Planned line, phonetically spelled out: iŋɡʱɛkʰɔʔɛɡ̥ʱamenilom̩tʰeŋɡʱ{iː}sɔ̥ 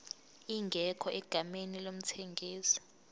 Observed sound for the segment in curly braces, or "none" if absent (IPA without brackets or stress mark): iː